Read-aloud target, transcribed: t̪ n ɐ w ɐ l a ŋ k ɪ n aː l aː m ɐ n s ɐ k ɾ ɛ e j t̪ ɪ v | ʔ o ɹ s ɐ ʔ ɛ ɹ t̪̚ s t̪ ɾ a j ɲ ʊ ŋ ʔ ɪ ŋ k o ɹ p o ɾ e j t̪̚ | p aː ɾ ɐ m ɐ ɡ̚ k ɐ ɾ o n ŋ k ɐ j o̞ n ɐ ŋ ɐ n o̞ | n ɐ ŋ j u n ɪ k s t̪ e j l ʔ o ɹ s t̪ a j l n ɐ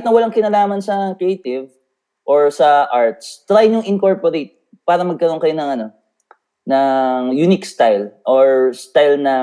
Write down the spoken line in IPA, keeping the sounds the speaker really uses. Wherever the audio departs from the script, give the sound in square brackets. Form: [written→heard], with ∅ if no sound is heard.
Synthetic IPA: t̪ n ɐ w ɐ l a ŋ k ɪ n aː l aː m ɐ n s ɐ k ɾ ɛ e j t̪ ɪ v | ʔ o ɹ s ɐ ʔ [ɛ→a] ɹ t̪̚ s t̪ ɾ a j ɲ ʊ ŋ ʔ ɪ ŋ k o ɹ p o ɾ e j t̪̚ | p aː ɾ ɐ m ɐ ɡ̚ k ɐ ɾ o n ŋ k ɐ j o̞ n ɐ ŋ ɐ n o̞ | n ɐ ŋ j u n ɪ k s t̪ [e→a] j l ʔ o ɹ s t̪ a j l n ɐ